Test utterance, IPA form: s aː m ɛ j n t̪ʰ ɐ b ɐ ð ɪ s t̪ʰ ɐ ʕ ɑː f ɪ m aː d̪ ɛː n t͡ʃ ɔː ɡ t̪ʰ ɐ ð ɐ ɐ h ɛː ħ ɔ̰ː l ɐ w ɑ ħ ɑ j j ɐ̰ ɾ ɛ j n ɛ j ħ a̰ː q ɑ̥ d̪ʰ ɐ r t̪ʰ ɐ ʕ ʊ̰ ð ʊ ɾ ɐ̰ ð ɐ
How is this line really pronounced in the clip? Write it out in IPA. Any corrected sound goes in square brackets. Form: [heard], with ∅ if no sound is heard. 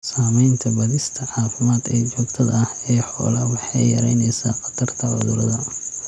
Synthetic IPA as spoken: s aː m ɛ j n t̪ʰ ɐ b ɐ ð ɪ s t̪ʰ ɐ ʕ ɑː f ɪ m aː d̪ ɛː [∅] t͡ʃ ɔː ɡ t̪ʰ ɐ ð ɐ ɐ h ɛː ħ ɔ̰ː l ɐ w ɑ ħ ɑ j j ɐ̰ ɾ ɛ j n ɛ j [s] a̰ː q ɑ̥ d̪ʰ ɐ r t̪ʰ ɐ ʕ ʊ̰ ð ʊ ɾ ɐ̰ ð ɐ